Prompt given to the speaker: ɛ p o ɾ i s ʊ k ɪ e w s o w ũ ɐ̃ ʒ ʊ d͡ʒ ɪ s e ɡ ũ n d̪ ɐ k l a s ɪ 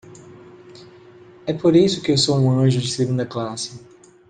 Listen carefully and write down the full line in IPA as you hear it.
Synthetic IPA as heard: ɛ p o ɾ i s ʊ k ɪ e w s o w ũ ɐ̃ ʒ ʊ d͡ʒ ɪ s e ɡ ũ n d̪ ɐ k l a s ɪ